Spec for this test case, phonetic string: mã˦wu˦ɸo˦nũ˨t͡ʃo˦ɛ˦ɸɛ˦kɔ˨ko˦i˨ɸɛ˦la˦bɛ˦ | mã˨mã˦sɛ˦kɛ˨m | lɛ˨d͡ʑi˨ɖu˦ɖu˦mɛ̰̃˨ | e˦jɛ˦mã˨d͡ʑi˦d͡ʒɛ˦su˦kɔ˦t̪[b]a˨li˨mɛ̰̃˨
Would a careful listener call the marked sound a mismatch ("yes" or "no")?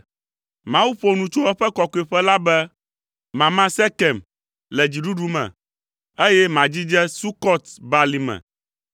no